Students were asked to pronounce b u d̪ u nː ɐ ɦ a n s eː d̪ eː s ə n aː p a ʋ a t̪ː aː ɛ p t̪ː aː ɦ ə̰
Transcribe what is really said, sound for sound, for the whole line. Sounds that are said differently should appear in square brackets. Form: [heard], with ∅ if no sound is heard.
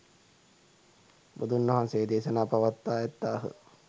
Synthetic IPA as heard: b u d̪ u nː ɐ ɦ a n s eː d̪ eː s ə n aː p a ʋ a t̪ː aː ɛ [∅] t̪ː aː ɦ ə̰